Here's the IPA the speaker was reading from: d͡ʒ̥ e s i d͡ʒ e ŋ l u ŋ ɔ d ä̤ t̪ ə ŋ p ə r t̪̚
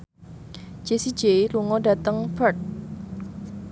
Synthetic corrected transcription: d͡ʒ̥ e s i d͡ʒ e l u ŋ ɔ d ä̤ t̪ ə ŋ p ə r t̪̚